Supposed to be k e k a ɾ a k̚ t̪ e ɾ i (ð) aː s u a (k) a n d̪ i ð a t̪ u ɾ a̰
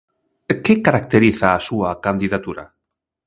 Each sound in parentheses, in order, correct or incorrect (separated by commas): incorrect, correct